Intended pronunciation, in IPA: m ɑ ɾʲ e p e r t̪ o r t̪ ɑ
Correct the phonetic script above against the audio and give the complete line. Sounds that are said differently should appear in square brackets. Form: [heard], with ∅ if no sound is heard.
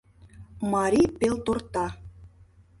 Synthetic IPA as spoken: m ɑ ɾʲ [i] p e [l] t̪ o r t̪ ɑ